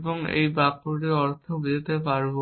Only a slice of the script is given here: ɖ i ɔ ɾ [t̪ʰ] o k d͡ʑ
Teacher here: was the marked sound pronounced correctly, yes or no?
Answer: yes